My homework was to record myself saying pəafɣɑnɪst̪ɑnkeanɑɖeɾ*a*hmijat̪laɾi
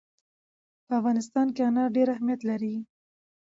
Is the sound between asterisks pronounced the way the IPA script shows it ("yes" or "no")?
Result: yes